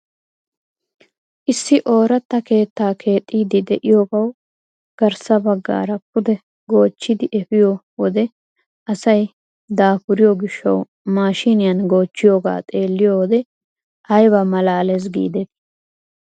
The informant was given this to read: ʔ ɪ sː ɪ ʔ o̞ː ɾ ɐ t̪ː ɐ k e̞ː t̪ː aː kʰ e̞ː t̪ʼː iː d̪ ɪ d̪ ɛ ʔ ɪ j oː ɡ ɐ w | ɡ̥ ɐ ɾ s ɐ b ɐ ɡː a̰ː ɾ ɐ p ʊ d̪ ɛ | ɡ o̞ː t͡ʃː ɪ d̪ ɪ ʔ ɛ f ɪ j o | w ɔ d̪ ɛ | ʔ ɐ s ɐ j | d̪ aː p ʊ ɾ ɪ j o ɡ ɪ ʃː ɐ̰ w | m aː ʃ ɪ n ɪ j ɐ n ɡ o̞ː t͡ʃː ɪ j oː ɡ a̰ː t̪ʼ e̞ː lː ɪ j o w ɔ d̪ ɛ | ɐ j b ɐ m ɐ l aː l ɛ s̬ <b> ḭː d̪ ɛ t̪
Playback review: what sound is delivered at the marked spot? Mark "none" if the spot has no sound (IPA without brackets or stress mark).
ɡ